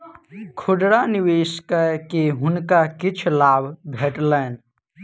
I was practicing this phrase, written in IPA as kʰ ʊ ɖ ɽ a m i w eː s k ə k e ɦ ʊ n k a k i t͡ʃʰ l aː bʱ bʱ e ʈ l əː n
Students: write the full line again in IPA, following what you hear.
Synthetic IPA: kʰ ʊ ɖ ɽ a n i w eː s k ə k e ɦ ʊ n k a k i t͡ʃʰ l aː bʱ bʱ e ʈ l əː n